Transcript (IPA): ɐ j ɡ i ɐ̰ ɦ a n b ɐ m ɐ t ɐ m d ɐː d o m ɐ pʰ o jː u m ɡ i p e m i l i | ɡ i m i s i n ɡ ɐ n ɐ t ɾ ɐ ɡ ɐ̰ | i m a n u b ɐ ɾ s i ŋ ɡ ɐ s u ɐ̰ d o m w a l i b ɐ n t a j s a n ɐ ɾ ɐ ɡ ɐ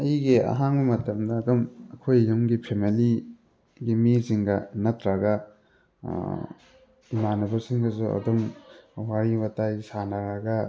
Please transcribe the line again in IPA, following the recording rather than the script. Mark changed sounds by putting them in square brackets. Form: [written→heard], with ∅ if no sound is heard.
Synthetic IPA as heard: ɐ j ɡ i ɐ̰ ɦ a [n→ŋ] b ɐ m ɐ t ɐ m d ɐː d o m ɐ [pʰ→kʰ] o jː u m ɡ i [p→pʰ] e m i l i | ɡ i m i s i [n→ŋ] ɡ ɐ n ɐ t ɾ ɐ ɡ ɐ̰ | i m a n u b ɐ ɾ s i ŋ ɡ ɐ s u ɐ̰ d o m w a [l→ɾ] i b ɐ [n→∅] t a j s a n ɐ ɾ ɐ ɡ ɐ